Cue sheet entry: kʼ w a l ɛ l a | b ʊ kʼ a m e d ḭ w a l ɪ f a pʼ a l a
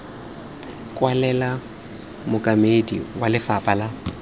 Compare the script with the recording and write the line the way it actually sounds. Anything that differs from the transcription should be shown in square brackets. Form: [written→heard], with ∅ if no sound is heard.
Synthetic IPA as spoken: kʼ w a l ɛ l a | [b→m] ʊ kʼ a m e d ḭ w a l ɪ f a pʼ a l a